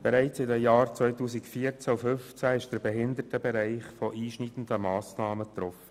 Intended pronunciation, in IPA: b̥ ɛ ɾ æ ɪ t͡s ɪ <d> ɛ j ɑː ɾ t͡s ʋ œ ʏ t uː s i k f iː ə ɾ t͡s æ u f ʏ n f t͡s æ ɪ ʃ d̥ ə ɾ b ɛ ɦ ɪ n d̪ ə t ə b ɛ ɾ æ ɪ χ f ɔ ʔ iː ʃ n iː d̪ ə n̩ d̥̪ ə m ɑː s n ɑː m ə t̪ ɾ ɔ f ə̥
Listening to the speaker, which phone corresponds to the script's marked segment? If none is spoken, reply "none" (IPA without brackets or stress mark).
d